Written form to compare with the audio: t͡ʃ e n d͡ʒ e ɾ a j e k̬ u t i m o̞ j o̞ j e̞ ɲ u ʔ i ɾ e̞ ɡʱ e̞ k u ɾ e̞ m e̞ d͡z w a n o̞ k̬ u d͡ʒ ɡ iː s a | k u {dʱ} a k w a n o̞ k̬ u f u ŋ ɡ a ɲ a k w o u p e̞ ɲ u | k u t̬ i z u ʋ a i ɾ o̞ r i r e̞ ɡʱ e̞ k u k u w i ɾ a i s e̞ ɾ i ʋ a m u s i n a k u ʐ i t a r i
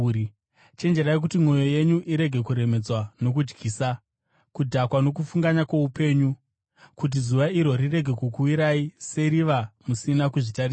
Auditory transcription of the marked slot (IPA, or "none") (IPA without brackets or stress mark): dʱ